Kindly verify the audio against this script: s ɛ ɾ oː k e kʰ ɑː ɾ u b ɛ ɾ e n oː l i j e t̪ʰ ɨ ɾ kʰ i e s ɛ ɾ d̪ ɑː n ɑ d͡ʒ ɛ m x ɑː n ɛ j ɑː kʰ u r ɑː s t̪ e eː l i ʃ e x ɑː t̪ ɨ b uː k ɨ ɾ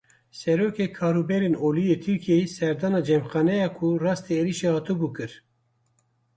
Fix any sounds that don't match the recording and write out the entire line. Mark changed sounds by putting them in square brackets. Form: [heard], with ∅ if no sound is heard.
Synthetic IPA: s ɛ ɾ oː k e kʰ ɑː ɾ u b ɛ ɾ e n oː l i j e t̪ʰ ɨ ɾ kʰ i e s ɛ ɾ d̪ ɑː n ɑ d͡ʒ ɛ m x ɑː n ɛ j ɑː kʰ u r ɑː s t̪ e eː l i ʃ e [h] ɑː t̪ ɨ b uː k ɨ ɾ